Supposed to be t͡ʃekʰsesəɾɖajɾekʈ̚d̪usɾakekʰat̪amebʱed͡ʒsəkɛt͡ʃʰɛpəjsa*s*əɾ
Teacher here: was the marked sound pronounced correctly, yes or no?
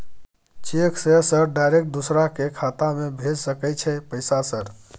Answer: yes